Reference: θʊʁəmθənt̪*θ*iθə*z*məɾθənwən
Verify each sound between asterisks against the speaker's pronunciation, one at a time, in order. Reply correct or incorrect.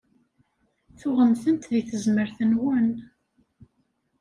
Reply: incorrect: ð, correct

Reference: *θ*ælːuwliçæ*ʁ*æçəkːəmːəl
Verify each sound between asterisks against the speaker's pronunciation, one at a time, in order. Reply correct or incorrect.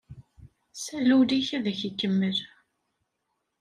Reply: incorrect: s, incorrect: ð

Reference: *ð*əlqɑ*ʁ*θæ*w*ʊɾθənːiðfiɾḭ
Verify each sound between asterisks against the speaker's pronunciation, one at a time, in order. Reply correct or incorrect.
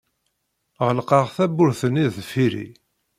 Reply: incorrect: ʁ, correct, incorrect: b

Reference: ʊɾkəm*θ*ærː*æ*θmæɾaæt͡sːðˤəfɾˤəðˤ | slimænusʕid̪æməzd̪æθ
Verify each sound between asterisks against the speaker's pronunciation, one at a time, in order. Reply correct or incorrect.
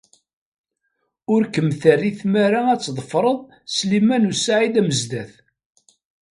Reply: correct, incorrect: i

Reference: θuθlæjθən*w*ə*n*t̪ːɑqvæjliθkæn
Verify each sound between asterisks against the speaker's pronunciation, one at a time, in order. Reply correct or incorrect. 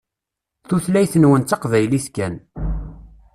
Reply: correct, correct

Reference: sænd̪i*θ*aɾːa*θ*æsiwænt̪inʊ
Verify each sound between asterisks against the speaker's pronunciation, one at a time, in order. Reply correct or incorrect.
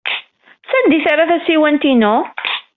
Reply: correct, correct

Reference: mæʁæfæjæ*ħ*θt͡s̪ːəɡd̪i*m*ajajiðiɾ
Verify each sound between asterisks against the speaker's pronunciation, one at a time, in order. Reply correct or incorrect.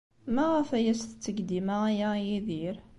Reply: incorrect: s, correct

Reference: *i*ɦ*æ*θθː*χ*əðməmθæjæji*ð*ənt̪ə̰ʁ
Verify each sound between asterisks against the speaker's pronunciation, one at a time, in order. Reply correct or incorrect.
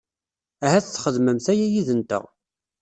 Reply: incorrect: æ, correct, correct, correct

